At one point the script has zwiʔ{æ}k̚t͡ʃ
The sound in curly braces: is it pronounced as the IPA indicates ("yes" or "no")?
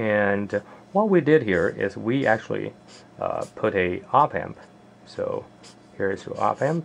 yes